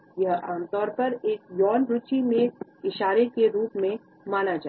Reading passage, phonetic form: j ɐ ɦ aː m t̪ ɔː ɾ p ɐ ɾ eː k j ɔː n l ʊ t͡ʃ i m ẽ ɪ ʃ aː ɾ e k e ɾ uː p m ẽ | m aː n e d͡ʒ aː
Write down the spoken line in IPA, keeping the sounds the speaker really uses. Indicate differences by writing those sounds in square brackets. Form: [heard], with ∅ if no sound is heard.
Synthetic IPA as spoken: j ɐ ɦ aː m t̪ ɔː ɾ p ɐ ɾ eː k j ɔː n [ɾ] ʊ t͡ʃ i m ẽ ɪ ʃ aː ɾ e k e ɾ uː p m ẽ | m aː n [a] d͡ʒ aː